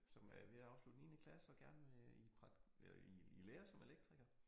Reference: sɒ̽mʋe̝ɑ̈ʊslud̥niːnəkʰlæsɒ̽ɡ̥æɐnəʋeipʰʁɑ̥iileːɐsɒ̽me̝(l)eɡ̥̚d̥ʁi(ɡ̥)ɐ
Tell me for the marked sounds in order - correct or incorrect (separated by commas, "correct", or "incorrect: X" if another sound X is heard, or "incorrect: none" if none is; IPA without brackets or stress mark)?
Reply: correct, correct